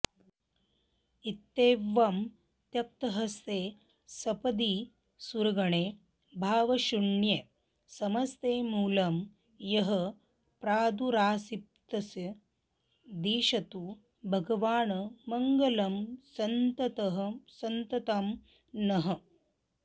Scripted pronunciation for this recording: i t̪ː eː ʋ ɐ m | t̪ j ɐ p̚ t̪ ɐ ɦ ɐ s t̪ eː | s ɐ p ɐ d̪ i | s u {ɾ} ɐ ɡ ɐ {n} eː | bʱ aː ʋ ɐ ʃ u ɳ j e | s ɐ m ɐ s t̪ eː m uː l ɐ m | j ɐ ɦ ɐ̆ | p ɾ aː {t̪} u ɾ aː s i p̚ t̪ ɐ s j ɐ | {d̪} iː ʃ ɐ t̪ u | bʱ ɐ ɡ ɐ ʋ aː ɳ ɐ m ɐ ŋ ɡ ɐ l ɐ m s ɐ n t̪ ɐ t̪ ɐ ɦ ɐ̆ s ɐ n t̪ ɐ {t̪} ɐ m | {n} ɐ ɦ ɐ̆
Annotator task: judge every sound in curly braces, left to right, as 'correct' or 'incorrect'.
correct, incorrect: ɳ, incorrect: d̪, correct, correct, correct

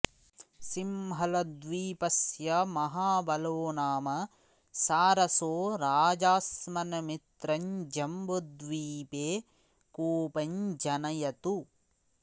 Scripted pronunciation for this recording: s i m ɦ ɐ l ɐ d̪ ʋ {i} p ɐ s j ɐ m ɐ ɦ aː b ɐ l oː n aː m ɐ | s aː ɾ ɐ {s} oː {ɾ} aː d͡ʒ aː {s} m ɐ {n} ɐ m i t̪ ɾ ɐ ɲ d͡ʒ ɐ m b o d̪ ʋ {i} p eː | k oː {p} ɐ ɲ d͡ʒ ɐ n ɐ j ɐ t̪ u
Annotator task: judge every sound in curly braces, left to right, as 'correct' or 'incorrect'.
incorrect: iː, correct, correct, correct, correct, incorrect: iː, correct

